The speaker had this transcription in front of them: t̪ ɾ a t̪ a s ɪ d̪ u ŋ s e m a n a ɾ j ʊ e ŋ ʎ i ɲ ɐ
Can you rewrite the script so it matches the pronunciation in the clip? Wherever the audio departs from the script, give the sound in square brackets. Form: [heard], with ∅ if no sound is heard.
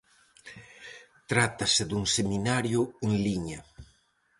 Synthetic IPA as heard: t̪ ɾ a t̪ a s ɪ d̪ u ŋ s e m [i] n a ɾ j ʊ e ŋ [l] i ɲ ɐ